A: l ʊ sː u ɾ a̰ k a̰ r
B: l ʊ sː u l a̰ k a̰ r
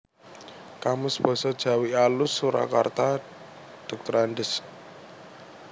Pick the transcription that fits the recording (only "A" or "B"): A